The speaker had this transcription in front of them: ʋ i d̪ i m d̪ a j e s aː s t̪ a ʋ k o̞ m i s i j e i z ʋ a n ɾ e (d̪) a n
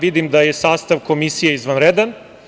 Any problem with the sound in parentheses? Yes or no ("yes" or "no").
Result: no